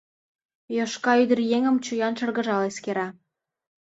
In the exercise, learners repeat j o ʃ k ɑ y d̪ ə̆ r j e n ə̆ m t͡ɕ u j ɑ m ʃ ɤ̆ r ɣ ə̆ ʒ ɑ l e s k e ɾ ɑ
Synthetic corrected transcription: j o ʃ k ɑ y d̪ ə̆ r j e ŋ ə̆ m t͡ɕ u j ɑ n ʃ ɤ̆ r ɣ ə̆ ʒ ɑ l e s k e ɾ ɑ